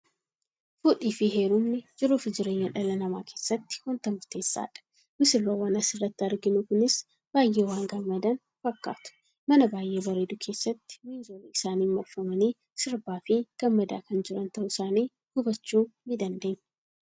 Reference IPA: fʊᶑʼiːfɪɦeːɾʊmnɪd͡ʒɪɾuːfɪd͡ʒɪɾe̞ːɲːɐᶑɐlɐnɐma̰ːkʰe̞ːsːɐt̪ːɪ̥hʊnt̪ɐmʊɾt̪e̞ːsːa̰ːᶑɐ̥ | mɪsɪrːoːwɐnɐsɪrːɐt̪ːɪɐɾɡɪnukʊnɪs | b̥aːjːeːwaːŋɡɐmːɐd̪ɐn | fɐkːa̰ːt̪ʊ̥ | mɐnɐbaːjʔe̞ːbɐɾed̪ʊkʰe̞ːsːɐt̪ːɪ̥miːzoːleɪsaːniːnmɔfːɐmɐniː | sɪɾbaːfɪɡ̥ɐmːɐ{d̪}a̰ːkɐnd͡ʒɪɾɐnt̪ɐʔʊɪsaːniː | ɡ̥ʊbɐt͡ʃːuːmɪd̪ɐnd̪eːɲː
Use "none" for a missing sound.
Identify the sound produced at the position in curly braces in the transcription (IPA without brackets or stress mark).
d̪